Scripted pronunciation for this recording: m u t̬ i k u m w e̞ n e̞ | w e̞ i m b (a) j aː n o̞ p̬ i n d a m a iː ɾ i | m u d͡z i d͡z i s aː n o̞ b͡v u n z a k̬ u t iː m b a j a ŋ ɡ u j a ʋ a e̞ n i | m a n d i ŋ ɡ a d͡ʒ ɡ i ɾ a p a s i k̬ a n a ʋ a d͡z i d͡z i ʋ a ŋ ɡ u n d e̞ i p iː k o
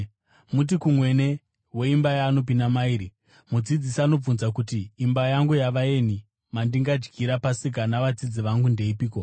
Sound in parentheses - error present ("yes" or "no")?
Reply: no